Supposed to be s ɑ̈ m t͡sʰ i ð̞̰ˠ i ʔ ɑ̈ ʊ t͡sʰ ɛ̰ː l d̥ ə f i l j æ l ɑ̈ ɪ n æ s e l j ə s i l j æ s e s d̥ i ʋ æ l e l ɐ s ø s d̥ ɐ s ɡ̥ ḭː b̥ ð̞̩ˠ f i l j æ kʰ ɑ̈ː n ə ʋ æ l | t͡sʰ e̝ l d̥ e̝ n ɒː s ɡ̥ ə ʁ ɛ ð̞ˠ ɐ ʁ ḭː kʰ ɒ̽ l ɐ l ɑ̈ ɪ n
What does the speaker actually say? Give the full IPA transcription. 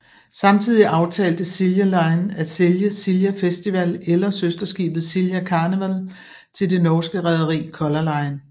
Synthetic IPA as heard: s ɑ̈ m t͡sʰ i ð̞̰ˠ i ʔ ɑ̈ ʊ t͡sʰ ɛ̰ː l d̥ ə s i l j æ l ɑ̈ ɪ n æ s e l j ə s i l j æ f e s d̥ i ʋ æ l e l ɐ s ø s d̥ ɐ s ɡ̥ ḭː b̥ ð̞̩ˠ s i l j æ kʰ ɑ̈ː n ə ʋ æ l | t͡sʰ e̝ l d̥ e̝ n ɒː s ɡ̥ ə ʁ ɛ ð̞ˠ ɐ ʁ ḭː kʰ ɒ̽ l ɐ l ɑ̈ ɪ n